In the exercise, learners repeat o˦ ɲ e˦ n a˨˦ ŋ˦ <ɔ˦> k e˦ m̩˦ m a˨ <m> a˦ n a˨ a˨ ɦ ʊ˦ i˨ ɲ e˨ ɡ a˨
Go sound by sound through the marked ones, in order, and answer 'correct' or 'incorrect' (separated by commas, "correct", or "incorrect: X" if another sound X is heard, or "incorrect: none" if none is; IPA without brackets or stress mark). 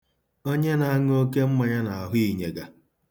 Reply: incorrect: o˦, incorrect: ɲ